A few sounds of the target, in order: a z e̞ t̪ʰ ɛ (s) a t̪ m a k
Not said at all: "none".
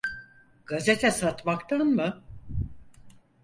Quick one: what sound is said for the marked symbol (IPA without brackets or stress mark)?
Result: s